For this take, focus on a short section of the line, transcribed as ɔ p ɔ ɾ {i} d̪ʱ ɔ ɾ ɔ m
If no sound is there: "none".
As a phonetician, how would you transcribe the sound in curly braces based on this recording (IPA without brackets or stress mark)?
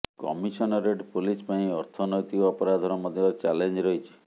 a